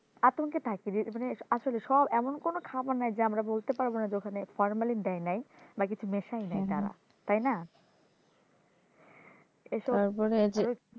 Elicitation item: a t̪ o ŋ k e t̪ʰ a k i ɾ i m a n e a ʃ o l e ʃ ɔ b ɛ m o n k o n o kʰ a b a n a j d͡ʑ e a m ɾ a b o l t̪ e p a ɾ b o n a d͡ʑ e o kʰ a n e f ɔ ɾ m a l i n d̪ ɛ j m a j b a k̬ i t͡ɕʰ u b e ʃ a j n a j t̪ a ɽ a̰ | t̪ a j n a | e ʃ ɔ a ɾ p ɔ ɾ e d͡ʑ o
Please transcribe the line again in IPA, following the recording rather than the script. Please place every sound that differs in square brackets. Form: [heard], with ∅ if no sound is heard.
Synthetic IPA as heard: a t̪ o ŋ k e t̪ʰ a k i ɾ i m a n e a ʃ o l e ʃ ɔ b ɛ m o n k o n o kʰ a b a n a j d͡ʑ e a m ɾ a b o l t̪ e p a ɾ b o n a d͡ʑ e o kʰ a n e f ɔ ɾ m a l i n d̪ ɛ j [n] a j b a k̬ i t͡ɕʰ u [m] e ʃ a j n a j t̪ a [ɾ] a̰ | t̪ a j n a | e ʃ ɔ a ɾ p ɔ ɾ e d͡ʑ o